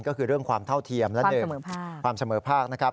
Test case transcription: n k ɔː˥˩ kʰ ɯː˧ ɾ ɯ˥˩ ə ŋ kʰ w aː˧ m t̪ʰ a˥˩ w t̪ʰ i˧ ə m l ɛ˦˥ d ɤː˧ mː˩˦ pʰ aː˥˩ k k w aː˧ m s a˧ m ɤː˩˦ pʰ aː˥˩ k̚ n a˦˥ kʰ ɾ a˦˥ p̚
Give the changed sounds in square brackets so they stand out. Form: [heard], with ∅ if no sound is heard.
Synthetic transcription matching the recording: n k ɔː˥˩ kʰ ɯː˧ ɾ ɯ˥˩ ə ŋ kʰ w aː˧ m t̪ʰ a˥˩ w t̪ʰ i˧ ə m l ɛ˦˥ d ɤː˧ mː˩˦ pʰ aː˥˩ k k w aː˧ m s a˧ m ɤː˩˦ pʰ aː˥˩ k̚ n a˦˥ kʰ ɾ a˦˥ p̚